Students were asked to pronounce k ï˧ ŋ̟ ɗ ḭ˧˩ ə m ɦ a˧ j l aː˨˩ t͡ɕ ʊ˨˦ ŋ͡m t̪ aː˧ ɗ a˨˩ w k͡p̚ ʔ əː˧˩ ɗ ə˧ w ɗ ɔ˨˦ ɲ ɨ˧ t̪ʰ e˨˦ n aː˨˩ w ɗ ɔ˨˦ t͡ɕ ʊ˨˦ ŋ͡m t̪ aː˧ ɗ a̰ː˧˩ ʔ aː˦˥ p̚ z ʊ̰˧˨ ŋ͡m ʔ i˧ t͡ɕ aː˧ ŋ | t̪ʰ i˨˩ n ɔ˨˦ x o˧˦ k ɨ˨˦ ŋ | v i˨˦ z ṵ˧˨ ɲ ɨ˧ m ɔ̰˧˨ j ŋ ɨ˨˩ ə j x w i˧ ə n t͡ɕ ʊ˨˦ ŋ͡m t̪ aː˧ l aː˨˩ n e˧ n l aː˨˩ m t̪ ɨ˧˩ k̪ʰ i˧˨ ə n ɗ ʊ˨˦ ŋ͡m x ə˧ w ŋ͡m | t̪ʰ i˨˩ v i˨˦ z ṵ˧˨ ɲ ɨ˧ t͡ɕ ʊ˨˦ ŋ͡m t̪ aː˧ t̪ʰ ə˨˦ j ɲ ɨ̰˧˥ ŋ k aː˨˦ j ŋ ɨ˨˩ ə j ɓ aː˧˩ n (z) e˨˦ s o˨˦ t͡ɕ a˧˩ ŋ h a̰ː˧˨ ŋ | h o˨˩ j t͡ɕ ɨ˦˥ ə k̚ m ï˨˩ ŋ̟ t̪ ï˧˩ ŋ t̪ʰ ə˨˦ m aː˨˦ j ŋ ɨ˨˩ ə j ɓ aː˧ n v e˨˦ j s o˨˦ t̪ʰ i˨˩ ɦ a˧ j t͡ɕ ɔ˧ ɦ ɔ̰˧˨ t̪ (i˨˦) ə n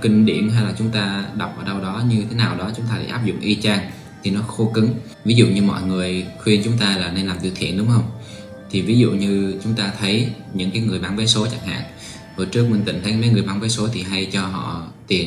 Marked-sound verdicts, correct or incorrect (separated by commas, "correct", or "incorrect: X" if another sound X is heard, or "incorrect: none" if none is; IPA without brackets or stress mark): incorrect: v, incorrect: i˨˩